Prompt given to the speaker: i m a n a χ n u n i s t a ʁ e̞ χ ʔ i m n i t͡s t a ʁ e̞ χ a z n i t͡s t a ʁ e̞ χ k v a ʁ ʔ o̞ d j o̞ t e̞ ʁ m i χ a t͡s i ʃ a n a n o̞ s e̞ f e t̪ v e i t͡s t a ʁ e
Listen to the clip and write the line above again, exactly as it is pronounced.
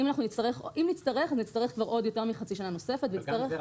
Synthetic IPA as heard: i m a n a χ n u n i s t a ʁ e̞ χ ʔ i m n i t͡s t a ʁ e̞ χ a z n i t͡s t a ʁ e̞ χ k v a ʁ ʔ o̞ d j o̞ t e̞ ʁ m i χ a t͡s i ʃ a n a n o̞ s e̞ f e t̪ v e i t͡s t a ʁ e